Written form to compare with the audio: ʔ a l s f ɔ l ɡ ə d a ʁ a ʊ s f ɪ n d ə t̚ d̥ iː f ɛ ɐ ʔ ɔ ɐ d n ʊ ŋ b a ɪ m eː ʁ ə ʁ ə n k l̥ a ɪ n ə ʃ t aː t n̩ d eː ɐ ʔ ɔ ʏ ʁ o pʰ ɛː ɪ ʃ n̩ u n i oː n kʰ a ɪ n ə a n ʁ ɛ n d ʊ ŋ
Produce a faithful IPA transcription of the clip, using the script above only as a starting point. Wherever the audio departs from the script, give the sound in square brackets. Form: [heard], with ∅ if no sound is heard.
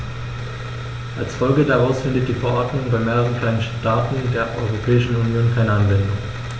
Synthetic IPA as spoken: ʔ a l s f ɔ l ɡ ə d a ʁ a ʊ s f ɪ n d ə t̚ d̥ iː f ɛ ɐ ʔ ɔ ɐ d n ʊ ŋ b a ɪ m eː ʁ ə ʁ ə n k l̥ a ɪ n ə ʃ t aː t n̩ d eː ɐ ʔ ɔ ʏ ʁ o pʰ ɛː ɪ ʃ n̩ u n [j] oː n kʰ a ɪ n ə a n [v] ɛ n d ʊ ŋ